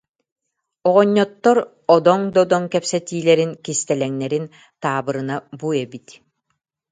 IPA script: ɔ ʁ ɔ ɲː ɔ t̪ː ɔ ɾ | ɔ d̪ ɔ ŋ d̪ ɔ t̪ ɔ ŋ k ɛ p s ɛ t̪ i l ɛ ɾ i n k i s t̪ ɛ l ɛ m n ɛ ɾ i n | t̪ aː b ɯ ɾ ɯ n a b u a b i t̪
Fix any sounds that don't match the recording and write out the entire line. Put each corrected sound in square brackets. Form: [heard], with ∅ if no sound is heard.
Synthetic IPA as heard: ɔ ʁ ɔ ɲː ɔ t̪ː ɔ ɾ | ɔ d̪ ɔ ŋ d̪ ɔ [d̪] ɔ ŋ k ɛ p s ɛ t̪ [iː] l ɛ ɾ i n k i s t̪ ɛ l ɛ [ŋ] n ɛ ɾ i n | t̪ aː b ɯ ɾ ɯ n a b u [ɛ] b i t̪